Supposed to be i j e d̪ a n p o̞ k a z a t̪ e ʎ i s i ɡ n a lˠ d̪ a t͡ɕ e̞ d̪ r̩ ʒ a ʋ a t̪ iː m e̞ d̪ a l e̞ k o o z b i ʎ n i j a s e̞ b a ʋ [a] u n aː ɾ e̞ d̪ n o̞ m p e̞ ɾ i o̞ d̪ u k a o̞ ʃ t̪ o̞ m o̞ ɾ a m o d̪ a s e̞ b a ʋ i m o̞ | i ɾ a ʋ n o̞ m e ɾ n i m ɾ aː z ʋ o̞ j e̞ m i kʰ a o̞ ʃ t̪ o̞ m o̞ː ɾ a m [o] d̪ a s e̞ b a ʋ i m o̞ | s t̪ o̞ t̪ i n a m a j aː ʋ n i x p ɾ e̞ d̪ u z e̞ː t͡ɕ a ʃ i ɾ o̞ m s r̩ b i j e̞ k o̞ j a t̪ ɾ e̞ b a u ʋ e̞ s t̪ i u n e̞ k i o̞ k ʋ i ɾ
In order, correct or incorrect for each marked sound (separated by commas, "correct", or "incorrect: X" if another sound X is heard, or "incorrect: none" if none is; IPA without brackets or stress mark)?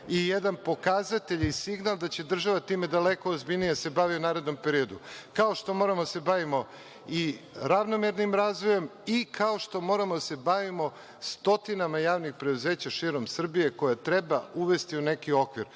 incorrect: i, correct